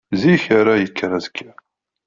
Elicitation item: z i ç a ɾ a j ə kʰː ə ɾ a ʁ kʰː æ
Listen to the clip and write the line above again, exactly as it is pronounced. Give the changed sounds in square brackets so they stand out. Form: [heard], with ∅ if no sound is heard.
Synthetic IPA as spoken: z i ç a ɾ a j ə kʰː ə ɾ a [z] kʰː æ